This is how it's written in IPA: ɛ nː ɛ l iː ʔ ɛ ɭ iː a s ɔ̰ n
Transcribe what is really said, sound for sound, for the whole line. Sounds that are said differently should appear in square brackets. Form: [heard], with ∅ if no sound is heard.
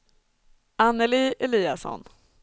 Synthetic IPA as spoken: [a] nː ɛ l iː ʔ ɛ [l] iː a s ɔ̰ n